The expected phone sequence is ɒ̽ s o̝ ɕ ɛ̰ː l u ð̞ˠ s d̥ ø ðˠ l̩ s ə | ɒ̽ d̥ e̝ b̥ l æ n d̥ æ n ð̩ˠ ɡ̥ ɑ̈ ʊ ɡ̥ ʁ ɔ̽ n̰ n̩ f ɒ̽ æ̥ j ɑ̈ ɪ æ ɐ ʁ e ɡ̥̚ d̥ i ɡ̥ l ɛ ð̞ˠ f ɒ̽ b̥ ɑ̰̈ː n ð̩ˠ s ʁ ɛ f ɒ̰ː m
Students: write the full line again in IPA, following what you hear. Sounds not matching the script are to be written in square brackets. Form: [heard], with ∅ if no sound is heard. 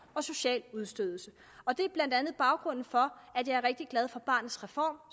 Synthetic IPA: ɒ̽ s o̝ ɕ ɛ̰ː l u ð̞ˠ s d̥ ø ðˠ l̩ s ə | ɒ̽ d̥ e̝ b̥ l æ n d̥ æ n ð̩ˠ [b̥] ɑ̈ ʊ ɡ̥ ʁ ɔ̽ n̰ n̩ f ɒ̽ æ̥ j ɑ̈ ɪ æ ɐ ʁ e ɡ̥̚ d̥ i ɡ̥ l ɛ ð̞ˠ f ɒ̽ b̥ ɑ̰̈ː n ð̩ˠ s ʁ ɛ f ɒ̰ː m

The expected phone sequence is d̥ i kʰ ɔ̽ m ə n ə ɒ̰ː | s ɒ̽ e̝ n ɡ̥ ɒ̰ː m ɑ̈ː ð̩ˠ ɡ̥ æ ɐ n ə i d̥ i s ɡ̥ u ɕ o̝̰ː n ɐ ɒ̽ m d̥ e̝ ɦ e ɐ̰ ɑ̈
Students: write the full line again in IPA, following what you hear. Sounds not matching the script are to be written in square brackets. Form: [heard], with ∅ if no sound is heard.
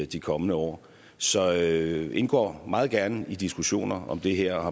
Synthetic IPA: d̥ i kʰ [ɒ̽] m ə n ə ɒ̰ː | s ɒ̽ e̝ n ɡ̥ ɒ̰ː m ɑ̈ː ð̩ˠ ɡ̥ æ ɐ n ə i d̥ i s ɡ̥ u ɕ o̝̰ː n ɐ ɒ̽ m d̥ e̝ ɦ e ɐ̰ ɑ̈

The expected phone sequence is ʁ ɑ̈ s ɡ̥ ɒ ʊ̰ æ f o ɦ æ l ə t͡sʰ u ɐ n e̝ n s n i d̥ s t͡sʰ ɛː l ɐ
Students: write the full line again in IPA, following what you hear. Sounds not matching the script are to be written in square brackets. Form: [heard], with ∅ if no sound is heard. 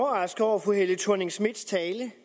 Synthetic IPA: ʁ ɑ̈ s ɡ̥ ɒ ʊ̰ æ f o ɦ [e] l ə t͡sʰ u ɐ n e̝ [ŋ] s [m] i d̥ s t͡sʰ ɛː l [ə]

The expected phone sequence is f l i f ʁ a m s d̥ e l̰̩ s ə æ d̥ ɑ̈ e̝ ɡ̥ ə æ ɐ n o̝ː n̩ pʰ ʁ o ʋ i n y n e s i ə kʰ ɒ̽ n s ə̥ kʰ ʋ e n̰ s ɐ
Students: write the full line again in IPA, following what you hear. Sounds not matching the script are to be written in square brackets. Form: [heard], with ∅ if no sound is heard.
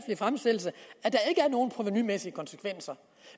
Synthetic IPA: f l i f ʁ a m s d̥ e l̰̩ s ə æ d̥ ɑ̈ e̝ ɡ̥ ə æ ɐ n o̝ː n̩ pʰ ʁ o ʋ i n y [m] e s i ə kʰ ɒ̽ n s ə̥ kʰ ʋ e n̰ s ɐ

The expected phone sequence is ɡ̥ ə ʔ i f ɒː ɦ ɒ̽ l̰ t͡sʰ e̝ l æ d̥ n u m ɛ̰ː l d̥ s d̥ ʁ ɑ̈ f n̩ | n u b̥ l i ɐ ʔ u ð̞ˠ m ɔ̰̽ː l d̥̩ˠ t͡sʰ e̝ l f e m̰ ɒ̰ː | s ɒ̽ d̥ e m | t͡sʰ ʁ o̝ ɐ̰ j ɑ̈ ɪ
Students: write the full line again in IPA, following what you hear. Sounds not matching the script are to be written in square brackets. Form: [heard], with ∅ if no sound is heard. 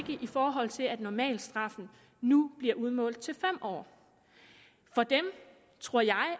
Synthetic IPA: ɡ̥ ə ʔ i f ɒː ɦ ɒ̽ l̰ t͡sʰ e̝ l æ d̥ n [ɒ] m ɛ̰ː l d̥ s d̥ ʁ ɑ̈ f n̩ | n u b̥ l i ɐ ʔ u ð̞ˠ m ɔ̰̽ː l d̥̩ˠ t͡sʰ e̝ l f e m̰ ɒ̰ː | [f] ɒ̽ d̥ e m | t͡sʰ ʁ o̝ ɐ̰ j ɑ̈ ɪ

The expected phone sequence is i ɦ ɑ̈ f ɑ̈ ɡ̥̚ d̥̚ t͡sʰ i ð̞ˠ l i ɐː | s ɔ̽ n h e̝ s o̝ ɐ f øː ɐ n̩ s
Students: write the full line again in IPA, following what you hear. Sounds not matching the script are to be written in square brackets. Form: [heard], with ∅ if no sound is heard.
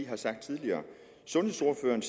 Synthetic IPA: i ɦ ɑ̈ [s] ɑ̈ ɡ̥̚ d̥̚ t͡sʰ i ð̞ˠ l i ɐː | s ɔ̽ n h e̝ s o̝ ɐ f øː ɐ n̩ s

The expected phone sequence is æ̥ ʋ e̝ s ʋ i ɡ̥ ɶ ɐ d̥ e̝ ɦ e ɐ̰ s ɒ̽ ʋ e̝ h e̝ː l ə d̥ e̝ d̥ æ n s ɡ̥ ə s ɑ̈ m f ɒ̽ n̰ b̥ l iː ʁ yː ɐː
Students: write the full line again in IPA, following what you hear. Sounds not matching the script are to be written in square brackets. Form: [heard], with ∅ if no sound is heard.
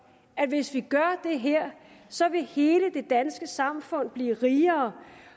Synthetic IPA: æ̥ ʋ e̝ s ʋ i ɡ̥ ɶ ɐ d̥ e̝ ɦ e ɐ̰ s ɒ̽ ʋ e̝ h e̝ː l ə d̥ e̝ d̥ æ n s ɡ̥ ə s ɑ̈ m f [ɔ̽] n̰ b̥ l iː ʁ [iː] ɐː

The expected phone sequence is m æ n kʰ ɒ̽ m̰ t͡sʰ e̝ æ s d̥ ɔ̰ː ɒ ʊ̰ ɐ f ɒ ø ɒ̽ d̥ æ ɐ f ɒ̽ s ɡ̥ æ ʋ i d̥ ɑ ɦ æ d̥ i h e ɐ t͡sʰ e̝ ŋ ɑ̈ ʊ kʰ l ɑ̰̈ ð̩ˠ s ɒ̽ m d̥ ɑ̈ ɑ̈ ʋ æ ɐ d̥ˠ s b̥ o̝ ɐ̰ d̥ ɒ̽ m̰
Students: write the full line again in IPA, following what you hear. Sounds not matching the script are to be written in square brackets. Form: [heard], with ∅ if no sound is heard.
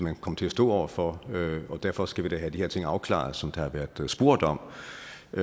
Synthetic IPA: m æ n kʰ ɒ̽ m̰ t͡sʰ e̝ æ s d̥ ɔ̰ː ɒ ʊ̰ ɐ f ɒ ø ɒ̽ d̥ æ ɐ f ɒ̽ s ɡ̥ æ ʋ i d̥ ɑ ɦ æ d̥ i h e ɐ t͡sʰ e̝ ŋ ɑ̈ ʊ kʰ l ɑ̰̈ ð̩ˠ s ɒ̽ m d̥ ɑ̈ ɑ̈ ʋ æ ɐ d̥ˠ s b̥ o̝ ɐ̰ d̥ ɒ̽ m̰

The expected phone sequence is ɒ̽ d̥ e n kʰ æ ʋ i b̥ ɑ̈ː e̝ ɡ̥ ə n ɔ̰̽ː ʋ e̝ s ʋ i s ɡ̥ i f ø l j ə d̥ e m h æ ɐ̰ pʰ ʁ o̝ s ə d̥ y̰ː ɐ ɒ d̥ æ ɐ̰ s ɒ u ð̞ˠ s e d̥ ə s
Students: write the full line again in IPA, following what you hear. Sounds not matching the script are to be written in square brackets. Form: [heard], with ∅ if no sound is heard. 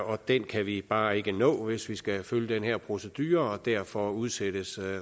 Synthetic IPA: ɒ̽ d̥ e n kʰ æ ʋ i b̥ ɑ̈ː e̝ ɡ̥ ə n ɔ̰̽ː ʋ e̝ s ʋ i s ɡ̥ [æ] f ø l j ə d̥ e [n] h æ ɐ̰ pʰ ʁ o̝ s ə d̥ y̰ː ɐ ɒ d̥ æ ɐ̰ [f] ɒ u ð̞ˠ s e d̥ ə s

